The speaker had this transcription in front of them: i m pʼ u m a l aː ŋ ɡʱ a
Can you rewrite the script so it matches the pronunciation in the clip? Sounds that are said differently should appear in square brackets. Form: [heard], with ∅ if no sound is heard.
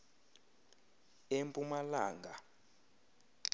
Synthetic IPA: [e] m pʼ u m a l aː ŋ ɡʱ a